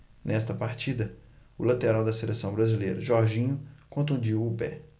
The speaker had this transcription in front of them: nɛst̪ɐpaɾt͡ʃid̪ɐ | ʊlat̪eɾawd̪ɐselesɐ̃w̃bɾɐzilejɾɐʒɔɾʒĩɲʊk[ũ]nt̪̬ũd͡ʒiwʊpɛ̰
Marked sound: incorrect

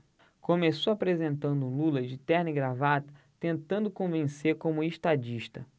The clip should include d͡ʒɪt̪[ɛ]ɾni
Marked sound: correct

